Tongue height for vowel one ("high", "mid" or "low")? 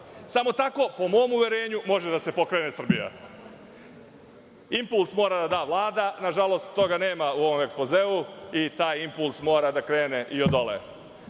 low